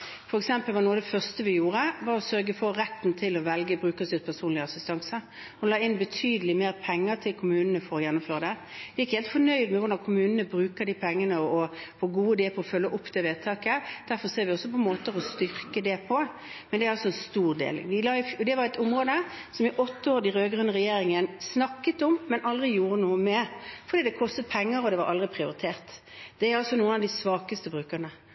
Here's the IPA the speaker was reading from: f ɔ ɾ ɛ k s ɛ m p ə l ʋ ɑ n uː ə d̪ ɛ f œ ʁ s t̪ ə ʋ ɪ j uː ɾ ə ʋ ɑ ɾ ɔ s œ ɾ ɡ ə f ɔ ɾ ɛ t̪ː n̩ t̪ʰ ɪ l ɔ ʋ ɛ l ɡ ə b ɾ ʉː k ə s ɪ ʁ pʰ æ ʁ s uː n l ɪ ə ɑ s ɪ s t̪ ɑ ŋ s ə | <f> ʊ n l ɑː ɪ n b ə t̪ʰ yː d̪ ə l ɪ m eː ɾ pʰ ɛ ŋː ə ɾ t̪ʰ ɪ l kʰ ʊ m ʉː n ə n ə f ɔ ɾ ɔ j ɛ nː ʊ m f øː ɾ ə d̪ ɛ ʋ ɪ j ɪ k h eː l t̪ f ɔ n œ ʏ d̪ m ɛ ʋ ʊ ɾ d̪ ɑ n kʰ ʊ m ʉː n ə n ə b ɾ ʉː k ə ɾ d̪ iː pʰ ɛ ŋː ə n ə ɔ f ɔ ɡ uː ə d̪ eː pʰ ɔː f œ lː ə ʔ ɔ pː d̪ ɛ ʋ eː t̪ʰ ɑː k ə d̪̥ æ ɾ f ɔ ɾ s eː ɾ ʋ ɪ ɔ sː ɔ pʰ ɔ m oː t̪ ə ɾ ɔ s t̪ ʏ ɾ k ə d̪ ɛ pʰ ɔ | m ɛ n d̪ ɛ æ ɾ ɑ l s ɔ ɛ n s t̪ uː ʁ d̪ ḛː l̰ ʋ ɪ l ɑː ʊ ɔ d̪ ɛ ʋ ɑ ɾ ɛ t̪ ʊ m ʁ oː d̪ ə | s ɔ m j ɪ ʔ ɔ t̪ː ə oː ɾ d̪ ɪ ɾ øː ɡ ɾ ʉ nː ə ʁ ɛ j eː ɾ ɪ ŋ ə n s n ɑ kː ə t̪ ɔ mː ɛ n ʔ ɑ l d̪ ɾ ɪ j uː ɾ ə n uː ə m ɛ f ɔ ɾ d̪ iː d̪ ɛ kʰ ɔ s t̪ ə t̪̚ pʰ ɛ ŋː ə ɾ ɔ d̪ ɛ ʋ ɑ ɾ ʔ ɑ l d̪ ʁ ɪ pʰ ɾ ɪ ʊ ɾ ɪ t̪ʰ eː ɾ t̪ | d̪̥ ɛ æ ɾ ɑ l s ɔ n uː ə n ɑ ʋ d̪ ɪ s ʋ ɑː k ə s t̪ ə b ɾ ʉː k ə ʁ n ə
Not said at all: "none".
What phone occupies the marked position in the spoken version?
h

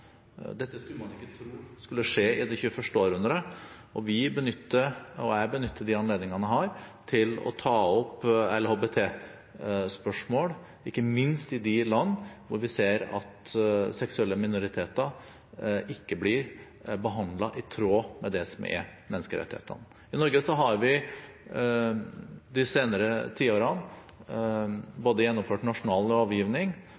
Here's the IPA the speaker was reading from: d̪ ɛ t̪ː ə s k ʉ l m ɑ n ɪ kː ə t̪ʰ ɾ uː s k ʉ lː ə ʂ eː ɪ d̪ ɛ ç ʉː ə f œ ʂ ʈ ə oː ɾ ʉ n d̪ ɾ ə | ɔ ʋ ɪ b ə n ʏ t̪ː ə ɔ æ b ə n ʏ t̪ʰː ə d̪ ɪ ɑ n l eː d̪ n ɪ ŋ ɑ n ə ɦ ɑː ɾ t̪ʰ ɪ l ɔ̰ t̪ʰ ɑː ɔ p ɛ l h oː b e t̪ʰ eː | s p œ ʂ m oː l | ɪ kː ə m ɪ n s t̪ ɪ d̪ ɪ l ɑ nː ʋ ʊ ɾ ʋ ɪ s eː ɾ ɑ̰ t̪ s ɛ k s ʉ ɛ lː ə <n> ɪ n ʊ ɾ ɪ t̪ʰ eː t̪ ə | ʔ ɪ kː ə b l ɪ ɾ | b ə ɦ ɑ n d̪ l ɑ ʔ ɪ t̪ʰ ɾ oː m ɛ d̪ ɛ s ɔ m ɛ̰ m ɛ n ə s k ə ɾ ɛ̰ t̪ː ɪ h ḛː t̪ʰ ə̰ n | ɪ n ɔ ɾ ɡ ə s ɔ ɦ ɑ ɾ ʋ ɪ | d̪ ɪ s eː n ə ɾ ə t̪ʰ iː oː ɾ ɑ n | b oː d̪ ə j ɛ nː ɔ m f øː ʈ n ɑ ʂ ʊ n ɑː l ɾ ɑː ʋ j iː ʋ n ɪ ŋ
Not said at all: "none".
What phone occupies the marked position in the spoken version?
m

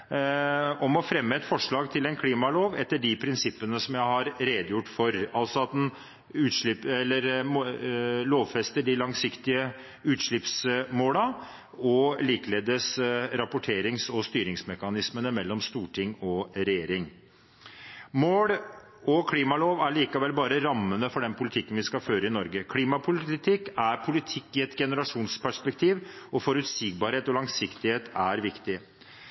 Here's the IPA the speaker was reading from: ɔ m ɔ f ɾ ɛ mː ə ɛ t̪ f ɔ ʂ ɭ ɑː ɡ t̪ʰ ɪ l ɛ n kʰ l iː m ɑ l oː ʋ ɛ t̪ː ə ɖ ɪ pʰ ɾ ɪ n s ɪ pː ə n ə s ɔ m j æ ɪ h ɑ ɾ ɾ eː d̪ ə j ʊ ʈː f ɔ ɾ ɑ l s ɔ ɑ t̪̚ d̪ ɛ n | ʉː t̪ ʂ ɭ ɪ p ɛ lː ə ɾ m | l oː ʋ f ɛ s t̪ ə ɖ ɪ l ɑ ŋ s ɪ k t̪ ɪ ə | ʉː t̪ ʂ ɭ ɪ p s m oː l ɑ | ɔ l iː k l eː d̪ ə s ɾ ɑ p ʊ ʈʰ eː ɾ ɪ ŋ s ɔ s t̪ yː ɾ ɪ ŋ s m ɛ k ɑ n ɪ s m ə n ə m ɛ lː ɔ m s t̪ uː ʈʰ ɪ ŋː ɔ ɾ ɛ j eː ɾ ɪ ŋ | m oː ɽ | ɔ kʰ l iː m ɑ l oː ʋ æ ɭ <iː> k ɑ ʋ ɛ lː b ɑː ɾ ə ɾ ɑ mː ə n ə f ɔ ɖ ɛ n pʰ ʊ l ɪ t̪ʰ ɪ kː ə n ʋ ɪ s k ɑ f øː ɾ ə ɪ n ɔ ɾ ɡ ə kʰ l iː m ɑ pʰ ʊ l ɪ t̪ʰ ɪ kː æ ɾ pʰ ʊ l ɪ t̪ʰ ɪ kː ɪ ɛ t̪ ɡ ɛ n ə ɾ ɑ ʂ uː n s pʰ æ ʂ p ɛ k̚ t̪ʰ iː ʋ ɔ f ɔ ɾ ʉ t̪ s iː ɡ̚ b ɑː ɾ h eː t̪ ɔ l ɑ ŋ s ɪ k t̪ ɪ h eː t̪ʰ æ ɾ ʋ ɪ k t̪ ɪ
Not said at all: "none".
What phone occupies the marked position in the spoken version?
iː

